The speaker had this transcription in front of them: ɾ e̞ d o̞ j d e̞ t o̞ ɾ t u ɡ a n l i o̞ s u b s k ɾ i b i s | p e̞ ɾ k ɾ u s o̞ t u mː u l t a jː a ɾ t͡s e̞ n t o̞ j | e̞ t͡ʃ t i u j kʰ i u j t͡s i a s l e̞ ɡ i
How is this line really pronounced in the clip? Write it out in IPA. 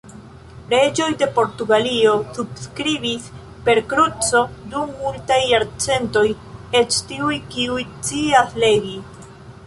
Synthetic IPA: ɾ e̞ d͡ʒ o̞ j d e̞ p o̞ ɾ t u ɡ a l i o̞ s u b s k ɾ i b i s | p e̞ ɾ k ɾ u t͡s o̞ d u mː u l t a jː a ɾ t͡s e̞ n t o̞ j | e̞ t͡ʃ t i u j k i u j t͡s i a s l e̞ ɡ i